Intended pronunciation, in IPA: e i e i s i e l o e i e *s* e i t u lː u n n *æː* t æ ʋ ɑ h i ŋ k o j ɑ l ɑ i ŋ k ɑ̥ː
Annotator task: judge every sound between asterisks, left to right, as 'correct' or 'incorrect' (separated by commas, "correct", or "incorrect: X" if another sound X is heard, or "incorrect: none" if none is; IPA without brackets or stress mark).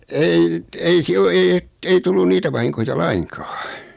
incorrect: t, incorrect: iː